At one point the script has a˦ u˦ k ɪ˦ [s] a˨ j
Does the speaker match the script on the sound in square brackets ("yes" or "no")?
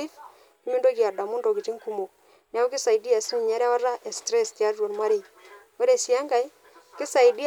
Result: yes